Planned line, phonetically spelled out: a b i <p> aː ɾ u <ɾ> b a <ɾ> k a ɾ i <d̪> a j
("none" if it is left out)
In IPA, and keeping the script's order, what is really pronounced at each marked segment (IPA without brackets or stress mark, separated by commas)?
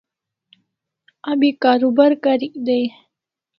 k, none, ɾ, d̪